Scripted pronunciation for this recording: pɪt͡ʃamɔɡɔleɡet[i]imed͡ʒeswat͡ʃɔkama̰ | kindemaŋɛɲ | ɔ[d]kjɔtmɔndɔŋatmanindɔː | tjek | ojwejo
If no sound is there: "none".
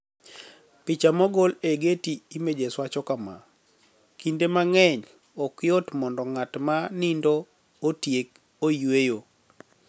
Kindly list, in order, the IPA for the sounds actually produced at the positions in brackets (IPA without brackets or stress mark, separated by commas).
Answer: i, none